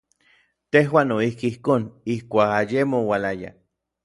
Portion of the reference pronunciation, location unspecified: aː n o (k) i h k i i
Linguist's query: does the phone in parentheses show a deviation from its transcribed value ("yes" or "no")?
yes